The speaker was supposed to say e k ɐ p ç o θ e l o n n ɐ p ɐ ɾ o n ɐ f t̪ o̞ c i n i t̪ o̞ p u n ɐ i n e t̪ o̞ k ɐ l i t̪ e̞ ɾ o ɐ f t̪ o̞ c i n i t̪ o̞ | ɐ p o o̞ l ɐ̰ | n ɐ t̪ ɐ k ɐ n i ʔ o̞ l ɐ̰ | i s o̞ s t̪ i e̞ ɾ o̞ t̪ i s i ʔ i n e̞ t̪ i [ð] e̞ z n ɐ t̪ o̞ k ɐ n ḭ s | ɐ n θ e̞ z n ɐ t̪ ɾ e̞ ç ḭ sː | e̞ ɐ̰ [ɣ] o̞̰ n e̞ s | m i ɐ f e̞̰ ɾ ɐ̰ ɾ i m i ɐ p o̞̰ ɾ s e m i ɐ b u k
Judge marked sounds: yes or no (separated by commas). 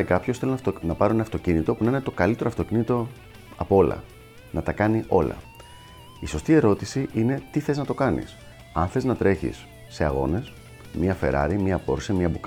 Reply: no, yes